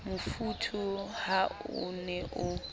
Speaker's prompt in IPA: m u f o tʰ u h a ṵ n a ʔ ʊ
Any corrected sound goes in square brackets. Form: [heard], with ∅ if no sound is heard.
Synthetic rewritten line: m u f [u] tʰ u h a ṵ n [ɛ] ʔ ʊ